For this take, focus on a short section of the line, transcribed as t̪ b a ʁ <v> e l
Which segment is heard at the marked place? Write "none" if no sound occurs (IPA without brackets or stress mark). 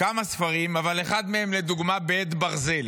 z